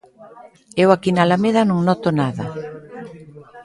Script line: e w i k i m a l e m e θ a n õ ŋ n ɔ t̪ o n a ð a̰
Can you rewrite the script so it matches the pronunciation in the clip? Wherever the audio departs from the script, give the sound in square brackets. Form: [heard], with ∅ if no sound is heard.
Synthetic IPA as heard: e w [a] k i [n] a l [a] m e [ð] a n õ ŋ n ɔ t̪ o n a ð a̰